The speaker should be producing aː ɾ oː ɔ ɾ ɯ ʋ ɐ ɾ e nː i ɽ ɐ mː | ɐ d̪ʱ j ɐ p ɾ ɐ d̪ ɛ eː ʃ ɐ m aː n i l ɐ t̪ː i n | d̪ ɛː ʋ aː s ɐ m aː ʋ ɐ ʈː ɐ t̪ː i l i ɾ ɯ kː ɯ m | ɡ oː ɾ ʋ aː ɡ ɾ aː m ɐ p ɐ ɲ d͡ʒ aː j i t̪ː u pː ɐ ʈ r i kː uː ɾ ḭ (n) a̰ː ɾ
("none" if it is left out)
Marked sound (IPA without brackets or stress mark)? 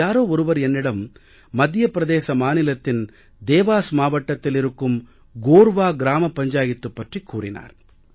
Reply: n